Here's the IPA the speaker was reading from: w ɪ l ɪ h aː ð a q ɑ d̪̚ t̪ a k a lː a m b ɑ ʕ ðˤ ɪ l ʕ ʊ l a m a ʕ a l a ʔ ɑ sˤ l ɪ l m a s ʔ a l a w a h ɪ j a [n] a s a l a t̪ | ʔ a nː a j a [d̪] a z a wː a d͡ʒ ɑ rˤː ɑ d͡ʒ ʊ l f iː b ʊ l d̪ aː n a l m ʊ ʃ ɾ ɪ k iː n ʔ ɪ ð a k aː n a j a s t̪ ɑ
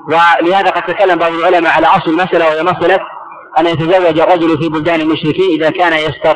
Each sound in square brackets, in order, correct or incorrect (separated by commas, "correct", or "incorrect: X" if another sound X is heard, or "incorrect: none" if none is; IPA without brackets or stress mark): incorrect: m, incorrect: t̪